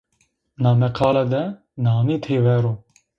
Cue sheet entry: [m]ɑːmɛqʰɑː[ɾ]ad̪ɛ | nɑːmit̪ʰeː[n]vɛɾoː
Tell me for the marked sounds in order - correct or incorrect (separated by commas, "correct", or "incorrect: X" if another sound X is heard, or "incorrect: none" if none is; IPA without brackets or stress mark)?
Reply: incorrect: n, incorrect: l, incorrect: none